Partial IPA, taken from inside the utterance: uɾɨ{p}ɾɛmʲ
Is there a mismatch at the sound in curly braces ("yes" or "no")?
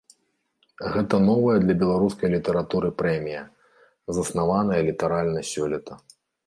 no